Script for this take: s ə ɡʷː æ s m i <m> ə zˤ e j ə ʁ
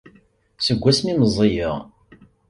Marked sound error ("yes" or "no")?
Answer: no